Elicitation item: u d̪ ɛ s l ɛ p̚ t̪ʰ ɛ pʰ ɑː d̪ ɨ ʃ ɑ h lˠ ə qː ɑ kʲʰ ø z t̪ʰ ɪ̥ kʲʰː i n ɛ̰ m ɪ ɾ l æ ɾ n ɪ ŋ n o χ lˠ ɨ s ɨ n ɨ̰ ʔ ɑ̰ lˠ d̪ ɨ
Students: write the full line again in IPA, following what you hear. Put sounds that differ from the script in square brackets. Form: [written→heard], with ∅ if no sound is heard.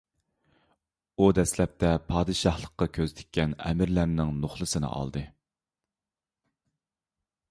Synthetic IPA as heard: u d̪ ɛ s l ɛ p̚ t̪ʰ ɛ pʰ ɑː d̪ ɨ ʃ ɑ h lˠ ə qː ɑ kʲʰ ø z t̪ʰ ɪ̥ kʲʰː [i→ɛ] n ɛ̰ m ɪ ɾ l æ ɾ n ɪ ŋ n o χ lˠ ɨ s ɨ n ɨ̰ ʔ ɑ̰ lˠ d̪ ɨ